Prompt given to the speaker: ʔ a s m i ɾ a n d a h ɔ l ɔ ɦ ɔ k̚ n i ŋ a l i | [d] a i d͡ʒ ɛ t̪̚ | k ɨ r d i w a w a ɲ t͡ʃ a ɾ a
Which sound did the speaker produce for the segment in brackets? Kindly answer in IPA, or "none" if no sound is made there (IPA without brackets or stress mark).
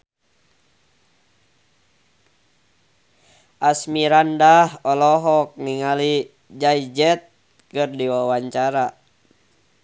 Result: d͡ʒ